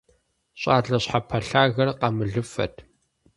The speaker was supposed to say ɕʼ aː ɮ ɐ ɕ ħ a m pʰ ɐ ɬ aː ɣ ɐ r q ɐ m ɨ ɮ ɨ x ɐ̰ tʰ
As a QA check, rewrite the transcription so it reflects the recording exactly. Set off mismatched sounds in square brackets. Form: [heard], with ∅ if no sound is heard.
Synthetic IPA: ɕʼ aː ɮ ɐ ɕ ħ a [∅] pʰ ɐ ɬ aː ɣ ɐ r q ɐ m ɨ ɮ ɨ [f] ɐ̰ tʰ